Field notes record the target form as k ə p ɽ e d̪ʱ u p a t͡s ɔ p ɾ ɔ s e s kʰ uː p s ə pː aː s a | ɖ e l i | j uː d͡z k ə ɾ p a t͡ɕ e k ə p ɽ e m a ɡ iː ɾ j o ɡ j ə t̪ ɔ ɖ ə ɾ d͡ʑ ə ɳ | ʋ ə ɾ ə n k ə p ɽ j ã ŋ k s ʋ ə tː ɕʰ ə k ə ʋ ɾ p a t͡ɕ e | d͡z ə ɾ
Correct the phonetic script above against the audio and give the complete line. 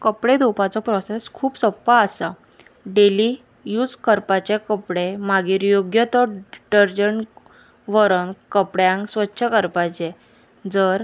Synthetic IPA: k ə p ɽ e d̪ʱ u p a t͡s ɔ p ɾ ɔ s e s kʰ uː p s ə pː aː s a | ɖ e l i | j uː d͡z k ə ɾ p a t͡ɕ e k ə p ɽ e m a ɡ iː ɾ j o ɡ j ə t̪ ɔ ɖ ə ɾ d͡ʑ ə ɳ | ʋ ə ɾ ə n k ə p ɽ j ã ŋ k s ʋ ə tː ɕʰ ə k ə ɾ p a t͡ɕ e | d͡z ə ɾ

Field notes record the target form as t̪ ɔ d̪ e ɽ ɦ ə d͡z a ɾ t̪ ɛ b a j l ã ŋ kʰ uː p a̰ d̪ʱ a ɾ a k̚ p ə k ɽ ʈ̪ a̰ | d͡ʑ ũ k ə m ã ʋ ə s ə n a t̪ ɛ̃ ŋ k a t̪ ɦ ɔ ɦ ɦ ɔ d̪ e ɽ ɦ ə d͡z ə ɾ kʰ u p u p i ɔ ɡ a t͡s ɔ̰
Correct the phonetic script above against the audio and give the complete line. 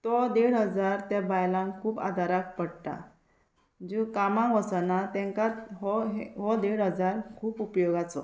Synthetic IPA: t̪ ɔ d̪ e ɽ ɦ ə d͡z a ɾ t̪ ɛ b a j l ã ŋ kʰ uː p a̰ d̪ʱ a ɾ a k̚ p ə ɽ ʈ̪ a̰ | d͡ʑ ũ k a m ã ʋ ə s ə n a t̪ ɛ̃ ŋ k a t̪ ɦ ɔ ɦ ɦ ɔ d̪ e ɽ ɦ ə d͡z a ɾ kʰ uː p u p j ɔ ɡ a t͡s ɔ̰

